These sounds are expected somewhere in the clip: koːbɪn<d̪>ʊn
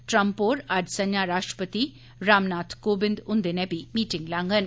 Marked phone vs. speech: correct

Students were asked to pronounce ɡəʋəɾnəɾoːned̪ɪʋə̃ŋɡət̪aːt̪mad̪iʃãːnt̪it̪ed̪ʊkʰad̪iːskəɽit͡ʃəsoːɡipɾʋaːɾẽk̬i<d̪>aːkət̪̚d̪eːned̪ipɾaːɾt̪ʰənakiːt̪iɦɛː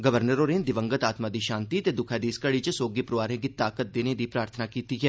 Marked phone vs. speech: incorrect: t̪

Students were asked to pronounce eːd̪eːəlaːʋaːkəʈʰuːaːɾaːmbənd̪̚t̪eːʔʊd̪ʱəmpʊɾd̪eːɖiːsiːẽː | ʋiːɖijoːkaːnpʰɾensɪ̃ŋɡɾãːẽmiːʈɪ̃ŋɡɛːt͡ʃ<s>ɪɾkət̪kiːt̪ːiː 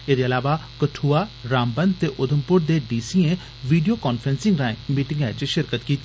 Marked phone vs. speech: incorrect: ʃ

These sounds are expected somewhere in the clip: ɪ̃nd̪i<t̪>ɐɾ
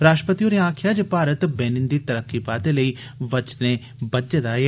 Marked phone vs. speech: correct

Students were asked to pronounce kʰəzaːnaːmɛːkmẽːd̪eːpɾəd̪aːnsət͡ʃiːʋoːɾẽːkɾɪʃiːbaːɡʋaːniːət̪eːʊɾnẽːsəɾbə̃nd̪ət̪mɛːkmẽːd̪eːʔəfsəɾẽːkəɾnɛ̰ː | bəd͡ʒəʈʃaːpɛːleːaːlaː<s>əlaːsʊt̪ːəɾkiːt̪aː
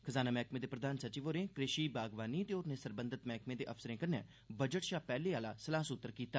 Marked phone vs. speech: correct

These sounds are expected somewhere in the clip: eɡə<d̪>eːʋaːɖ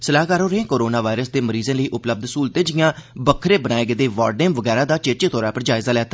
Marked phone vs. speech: correct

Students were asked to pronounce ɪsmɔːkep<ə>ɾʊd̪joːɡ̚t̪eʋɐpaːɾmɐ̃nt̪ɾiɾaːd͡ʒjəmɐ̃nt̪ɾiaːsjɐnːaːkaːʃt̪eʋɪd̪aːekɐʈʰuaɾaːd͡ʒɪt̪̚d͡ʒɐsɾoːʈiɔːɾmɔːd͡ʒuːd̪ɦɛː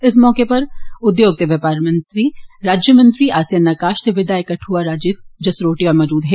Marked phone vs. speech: incorrect: ɐ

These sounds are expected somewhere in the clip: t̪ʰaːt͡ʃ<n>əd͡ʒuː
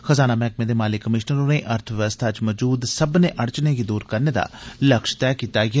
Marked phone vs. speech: incorrect: m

